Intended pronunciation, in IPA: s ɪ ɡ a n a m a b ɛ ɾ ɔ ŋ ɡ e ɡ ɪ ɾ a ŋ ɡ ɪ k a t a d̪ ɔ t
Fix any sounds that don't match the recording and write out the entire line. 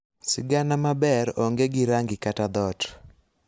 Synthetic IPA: s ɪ ɡ a n a m a b ɛ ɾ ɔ ŋ ɡ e ɡ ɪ ɾ a ŋ ɡ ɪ k a t a d̪ ɔ t